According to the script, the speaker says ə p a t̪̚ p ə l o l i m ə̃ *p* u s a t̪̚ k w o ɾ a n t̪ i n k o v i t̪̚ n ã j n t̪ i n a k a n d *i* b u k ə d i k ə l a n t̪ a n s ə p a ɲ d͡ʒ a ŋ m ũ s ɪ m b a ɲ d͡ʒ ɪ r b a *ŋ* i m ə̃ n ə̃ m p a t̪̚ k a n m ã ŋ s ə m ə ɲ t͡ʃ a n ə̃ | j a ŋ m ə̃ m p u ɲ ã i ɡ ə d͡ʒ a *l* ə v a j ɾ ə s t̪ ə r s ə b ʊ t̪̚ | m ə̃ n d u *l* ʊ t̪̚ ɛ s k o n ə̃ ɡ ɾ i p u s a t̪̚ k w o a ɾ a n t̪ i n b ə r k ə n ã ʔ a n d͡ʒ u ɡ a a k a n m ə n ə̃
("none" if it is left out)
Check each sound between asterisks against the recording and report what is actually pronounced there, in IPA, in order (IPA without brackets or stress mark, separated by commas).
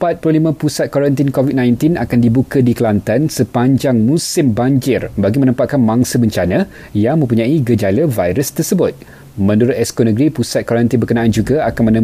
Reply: p, i, ɡ, l, ɾ